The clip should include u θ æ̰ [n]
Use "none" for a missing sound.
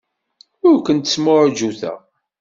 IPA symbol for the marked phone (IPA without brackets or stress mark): none